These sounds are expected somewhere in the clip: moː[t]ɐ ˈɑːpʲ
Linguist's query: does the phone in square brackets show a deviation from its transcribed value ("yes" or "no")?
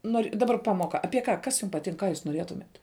yes